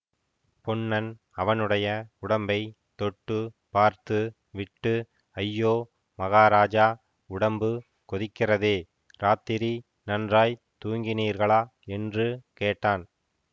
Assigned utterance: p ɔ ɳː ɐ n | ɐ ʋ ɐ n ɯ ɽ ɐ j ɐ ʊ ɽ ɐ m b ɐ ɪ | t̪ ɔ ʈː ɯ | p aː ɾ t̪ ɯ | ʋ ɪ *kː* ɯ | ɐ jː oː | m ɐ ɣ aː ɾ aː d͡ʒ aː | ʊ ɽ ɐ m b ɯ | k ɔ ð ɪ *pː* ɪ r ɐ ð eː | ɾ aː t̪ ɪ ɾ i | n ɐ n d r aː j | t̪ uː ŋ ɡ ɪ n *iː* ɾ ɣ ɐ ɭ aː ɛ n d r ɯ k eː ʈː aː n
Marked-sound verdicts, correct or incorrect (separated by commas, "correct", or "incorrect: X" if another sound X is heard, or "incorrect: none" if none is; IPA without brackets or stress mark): incorrect: ʈː, incorrect: kː, correct